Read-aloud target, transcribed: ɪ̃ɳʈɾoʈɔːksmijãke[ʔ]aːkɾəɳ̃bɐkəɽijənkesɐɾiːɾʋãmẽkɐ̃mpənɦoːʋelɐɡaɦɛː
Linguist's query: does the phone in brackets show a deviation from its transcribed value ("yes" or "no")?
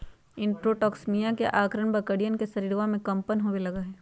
no